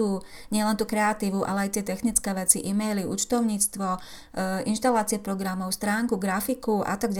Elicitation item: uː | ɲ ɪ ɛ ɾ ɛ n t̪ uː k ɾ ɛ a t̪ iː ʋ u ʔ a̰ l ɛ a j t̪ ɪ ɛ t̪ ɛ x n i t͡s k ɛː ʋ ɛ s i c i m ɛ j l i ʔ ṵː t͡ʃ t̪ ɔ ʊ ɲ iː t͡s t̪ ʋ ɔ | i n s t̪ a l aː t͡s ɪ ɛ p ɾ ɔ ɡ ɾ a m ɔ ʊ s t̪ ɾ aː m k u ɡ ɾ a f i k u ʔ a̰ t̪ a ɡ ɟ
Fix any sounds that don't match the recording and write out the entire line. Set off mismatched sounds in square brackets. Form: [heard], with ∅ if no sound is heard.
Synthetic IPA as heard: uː | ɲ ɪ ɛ [l] ɛ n t̪ uː k ɾ ɛ a t̪ iː ʋ u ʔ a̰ l ɛ a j t̪ ɪ ɛ t̪ ɛ x n i t͡s k ɛː ʋ ɛ [t͡s] i [ʔ] i m ɛ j l i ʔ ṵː t͡ʃ t̪ ɔ ʊ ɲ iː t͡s t̪ ʋ ɔ | i n [ʃ] t̪ a l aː t͡s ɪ ɛ p ɾ ɔ ɡ ɾ a m ɔ ʊ s t̪ ɾ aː [ŋ] k u ɡ ɾ a f i k u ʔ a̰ t̪ a ɡ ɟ